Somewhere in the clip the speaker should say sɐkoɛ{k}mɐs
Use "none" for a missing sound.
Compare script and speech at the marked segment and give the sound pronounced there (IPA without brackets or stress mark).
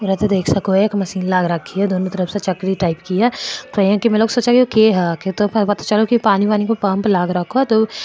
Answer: k